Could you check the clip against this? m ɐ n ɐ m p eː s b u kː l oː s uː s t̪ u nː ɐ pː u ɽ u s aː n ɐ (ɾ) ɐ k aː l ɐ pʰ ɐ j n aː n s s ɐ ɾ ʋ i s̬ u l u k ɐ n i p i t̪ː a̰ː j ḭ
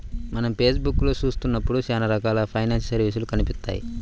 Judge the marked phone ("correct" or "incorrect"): correct